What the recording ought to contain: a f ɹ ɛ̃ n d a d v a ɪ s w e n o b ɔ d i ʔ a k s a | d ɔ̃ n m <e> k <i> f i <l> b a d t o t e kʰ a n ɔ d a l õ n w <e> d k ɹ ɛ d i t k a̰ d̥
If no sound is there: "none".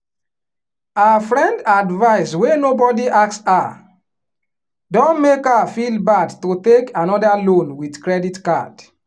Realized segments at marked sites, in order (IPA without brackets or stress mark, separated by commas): e, a, l, i